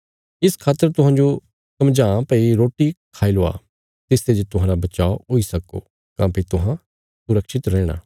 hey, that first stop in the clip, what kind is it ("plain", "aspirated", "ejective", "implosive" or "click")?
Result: aspirated